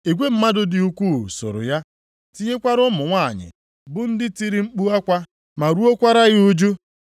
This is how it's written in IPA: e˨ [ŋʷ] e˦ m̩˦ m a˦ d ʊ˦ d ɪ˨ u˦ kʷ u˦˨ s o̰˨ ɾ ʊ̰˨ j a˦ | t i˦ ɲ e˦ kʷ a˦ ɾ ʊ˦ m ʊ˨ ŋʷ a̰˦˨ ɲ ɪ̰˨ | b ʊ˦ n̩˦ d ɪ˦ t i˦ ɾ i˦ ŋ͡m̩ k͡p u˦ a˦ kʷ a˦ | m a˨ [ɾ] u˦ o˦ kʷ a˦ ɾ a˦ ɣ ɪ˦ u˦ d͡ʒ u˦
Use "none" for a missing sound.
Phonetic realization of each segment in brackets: ɡʷ, ɾ

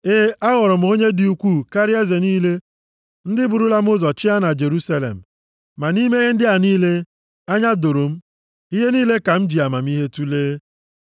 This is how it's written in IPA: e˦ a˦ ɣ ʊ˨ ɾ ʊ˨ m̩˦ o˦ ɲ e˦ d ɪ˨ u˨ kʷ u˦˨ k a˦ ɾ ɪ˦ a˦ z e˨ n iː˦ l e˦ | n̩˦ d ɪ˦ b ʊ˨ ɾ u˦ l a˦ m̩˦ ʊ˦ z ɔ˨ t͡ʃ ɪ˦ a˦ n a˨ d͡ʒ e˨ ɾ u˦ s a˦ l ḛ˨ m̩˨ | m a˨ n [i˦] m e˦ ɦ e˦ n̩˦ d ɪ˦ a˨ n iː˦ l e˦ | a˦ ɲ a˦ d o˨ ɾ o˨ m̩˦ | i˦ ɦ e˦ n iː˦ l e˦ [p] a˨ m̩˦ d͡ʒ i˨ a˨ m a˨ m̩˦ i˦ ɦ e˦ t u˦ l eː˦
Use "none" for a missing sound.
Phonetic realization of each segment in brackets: i˦, k

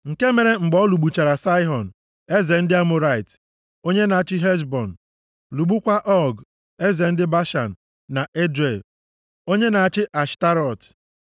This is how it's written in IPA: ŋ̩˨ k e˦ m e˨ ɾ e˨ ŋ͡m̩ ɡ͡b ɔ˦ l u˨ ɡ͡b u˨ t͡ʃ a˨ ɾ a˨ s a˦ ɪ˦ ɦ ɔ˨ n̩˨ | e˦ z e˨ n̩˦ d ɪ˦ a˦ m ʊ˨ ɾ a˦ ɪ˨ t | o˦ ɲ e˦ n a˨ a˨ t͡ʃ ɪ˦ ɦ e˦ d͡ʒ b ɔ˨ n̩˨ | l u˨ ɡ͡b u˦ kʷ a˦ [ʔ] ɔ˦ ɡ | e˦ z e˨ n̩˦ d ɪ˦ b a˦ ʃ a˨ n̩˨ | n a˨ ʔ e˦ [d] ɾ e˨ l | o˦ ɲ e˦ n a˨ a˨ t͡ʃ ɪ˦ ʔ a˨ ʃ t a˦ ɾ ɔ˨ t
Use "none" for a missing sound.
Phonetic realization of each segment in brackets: ʔ, d

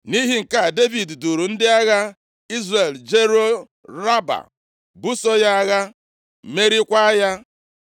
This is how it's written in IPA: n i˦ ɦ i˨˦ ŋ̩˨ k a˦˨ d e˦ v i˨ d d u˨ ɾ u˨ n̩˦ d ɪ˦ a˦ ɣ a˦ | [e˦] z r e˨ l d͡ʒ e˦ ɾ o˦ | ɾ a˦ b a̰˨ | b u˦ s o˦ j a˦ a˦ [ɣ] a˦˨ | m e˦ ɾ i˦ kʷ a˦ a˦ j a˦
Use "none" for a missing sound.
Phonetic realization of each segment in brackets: i˦, ɣ

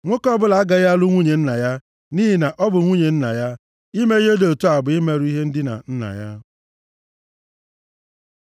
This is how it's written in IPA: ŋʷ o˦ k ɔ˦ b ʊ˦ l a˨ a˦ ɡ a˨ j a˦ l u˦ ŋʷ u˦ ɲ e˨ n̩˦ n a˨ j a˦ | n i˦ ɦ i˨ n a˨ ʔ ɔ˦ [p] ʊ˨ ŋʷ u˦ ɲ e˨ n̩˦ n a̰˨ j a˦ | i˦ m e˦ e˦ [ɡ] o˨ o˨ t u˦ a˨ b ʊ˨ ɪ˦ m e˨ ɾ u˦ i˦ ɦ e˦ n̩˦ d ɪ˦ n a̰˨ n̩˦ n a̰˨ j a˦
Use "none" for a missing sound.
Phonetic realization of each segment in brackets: b, d

